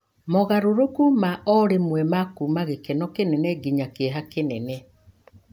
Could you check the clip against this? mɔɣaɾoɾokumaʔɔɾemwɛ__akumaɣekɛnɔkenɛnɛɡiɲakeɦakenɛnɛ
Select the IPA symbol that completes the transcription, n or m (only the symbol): m